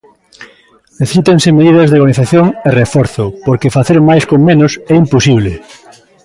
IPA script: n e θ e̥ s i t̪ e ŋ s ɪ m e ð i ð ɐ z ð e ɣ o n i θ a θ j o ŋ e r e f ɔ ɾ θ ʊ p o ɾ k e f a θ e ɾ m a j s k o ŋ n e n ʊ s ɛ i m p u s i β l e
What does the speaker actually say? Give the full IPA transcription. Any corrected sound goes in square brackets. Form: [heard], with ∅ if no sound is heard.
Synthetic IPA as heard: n e θ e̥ s i t̪ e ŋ s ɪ m e ð i ð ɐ z ð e ɣ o n i θ a θ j o ŋ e r e f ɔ ɾ θ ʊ p o ɾ k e f a θ e ɾ m a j s k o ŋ [m] e n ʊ s ɛ i m p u s i β l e